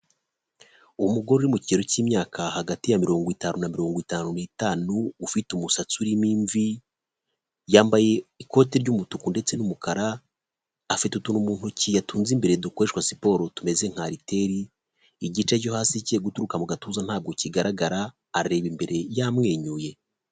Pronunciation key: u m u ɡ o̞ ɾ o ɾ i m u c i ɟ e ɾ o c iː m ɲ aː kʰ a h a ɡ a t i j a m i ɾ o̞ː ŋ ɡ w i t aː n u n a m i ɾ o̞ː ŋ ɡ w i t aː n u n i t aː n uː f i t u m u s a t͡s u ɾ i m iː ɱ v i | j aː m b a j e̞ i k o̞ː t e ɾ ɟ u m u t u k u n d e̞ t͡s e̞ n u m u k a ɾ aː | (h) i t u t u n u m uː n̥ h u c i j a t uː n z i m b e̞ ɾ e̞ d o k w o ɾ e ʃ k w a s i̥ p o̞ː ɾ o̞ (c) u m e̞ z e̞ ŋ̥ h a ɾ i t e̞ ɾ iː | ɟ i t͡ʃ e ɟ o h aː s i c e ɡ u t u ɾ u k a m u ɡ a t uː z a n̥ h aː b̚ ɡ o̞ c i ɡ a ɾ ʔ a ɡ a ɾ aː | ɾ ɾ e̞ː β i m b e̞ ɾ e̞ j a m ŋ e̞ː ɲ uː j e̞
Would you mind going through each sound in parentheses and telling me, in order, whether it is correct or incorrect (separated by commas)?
incorrect, incorrect